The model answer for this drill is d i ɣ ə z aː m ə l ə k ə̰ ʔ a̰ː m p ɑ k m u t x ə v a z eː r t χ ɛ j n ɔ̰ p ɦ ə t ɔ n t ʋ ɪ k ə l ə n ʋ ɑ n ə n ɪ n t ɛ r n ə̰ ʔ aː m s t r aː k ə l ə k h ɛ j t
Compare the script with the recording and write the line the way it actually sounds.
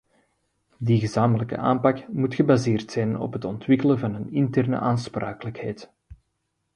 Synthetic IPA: d i ɣ ə z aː m ə l ə k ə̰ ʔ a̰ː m p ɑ k m u t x ə b a z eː r t s ɛ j n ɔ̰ p ɦ ə t ɔ n t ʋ ɪ k ə l ə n v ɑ n ə n ɪ n t ɛ r n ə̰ ʔ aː n s p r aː k ə l ə k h ɛ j t